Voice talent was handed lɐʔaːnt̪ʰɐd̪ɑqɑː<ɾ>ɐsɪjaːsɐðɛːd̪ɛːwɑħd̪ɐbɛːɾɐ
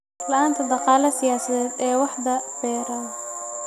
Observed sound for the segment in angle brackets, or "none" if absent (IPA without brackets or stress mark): l